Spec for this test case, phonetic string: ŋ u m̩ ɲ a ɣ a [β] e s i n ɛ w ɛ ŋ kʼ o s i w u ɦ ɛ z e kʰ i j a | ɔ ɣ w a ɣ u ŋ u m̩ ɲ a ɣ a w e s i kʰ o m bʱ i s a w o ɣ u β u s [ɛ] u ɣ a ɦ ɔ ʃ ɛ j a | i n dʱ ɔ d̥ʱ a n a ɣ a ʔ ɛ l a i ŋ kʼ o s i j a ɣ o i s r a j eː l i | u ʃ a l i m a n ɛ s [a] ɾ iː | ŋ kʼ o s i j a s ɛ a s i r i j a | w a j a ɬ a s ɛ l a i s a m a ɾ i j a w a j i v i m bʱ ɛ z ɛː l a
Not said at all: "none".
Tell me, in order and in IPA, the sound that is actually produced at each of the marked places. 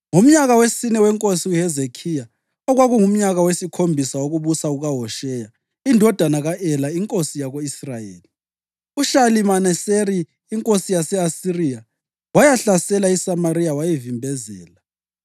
w, a, e

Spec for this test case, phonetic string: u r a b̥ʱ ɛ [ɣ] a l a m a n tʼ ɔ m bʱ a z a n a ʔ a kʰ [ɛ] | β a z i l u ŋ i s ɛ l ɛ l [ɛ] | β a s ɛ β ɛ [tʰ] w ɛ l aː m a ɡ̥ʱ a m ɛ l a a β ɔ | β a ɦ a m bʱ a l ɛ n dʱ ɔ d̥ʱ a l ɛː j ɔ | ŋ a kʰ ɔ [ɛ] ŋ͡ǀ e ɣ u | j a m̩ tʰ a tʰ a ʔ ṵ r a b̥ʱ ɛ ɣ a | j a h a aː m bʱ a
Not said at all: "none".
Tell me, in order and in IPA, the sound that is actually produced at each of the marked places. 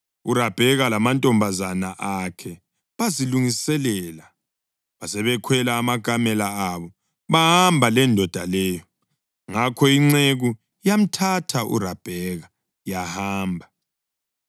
ɣ, ɛ, a, kʰ, i

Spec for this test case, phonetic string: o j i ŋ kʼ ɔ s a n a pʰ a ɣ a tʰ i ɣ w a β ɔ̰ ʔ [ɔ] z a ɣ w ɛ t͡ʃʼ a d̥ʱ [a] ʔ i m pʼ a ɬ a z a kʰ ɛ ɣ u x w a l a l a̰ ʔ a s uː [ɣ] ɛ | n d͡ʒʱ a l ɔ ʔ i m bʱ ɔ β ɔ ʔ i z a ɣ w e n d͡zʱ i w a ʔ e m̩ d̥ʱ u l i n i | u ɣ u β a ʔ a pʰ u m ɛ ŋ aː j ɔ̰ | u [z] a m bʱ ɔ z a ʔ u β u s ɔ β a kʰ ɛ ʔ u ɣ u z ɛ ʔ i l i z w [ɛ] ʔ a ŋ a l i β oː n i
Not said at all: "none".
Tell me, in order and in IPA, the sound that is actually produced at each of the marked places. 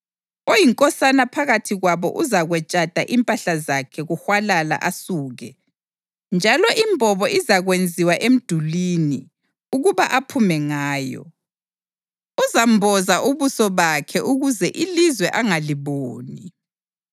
u, a, ɣ, z, ɛ

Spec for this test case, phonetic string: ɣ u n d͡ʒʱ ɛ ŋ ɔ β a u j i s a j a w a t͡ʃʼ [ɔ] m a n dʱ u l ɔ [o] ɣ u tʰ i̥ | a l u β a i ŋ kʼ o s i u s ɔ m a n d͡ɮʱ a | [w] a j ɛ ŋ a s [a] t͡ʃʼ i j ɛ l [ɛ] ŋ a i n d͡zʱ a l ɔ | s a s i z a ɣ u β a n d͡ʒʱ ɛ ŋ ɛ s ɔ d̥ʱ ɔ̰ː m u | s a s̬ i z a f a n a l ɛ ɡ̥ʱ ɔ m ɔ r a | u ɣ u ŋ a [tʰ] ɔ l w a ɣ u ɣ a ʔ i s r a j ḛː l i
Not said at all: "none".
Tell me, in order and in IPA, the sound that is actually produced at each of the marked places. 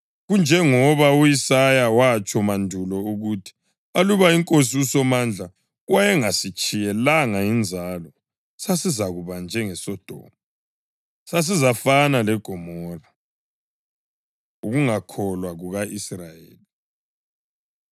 ɔ, u, w, i, a, kʰ

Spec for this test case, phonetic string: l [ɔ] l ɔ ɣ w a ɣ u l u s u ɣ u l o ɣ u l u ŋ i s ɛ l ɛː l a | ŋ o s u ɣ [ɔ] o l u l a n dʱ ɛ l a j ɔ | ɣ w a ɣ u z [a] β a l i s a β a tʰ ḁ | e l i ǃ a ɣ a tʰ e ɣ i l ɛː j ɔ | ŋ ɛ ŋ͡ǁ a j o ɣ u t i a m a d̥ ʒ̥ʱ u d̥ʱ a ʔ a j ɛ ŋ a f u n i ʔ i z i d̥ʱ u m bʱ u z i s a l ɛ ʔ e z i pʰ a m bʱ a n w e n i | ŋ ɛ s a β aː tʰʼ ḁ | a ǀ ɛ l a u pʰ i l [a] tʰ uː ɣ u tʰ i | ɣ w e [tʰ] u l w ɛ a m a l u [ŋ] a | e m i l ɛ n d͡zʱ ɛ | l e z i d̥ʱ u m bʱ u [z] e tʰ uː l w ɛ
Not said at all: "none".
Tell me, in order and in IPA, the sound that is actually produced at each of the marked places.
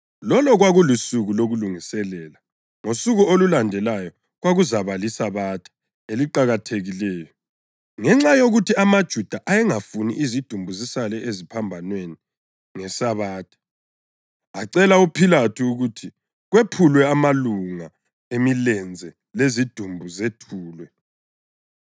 ɔ, u, a, a, pʰ, ŋ, z

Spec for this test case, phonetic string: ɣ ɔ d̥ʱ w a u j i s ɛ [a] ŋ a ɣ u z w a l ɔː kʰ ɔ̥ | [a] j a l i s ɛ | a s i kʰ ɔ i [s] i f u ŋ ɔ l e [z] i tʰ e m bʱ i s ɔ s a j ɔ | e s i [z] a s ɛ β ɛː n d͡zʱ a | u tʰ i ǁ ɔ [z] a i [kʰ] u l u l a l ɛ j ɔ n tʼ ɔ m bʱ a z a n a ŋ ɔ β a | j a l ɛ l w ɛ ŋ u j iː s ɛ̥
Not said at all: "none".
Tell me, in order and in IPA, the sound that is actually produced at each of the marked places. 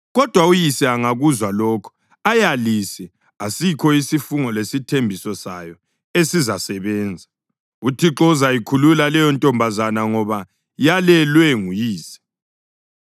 a, a, s, s, z, z, kʰ

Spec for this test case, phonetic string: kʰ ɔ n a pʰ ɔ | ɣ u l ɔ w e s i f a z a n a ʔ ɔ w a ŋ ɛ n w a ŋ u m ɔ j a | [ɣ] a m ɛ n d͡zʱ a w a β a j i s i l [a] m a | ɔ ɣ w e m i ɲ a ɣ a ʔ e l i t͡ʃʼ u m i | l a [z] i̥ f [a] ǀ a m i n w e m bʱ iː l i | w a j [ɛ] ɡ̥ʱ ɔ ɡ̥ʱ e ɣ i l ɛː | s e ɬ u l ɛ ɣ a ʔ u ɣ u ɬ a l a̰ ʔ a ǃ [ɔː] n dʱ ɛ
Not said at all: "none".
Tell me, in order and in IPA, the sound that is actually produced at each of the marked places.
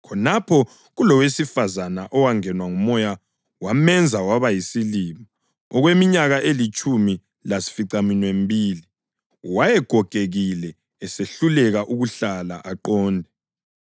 w, i, s, i, ɛ, ɔː

